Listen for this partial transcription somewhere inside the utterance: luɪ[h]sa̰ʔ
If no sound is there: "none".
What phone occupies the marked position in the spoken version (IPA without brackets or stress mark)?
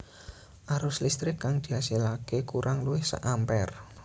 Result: h